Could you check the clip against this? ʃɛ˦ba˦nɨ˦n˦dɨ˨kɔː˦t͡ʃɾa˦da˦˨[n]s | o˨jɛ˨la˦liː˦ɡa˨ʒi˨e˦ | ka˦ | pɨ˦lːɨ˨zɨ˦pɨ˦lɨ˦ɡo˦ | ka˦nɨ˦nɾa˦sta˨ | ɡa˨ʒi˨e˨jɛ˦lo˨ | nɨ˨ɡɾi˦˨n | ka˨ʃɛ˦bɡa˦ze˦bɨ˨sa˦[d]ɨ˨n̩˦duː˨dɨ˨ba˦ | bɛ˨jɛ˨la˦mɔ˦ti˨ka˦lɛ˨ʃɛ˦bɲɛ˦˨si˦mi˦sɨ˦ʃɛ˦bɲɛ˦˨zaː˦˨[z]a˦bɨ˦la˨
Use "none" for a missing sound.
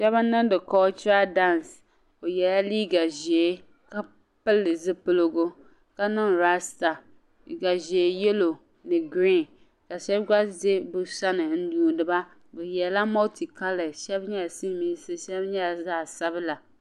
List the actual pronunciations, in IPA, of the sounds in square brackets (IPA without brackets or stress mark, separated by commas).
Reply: n, n, s